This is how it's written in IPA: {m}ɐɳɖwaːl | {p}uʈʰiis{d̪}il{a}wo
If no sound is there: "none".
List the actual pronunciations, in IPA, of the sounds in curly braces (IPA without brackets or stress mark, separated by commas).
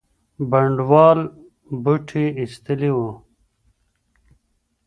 b, b, t̪, i